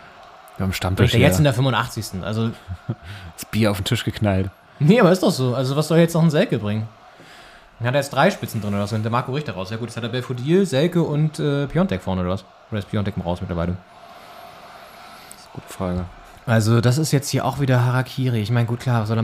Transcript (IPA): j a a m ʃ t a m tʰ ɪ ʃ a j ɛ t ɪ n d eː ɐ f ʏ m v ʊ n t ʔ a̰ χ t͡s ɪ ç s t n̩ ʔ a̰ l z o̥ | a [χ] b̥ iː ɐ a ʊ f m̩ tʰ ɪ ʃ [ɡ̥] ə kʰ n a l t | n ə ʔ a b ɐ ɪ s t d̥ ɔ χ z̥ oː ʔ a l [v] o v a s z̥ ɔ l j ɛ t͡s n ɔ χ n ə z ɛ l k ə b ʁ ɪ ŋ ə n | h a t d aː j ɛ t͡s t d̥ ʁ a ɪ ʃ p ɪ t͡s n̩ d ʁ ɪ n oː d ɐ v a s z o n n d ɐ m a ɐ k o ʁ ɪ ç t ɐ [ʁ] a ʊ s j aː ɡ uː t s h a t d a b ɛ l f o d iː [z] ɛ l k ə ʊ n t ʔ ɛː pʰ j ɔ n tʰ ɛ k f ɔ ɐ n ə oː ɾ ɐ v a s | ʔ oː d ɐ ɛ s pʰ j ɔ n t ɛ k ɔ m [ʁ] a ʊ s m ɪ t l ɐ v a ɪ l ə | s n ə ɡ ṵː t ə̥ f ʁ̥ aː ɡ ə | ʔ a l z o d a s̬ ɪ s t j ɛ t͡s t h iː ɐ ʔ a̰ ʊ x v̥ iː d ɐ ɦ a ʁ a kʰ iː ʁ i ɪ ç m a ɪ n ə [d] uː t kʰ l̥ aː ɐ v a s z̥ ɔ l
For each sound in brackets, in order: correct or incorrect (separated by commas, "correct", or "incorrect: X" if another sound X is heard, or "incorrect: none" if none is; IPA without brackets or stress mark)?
incorrect: s, correct, incorrect: z, correct, correct, correct, incorrect: ɡ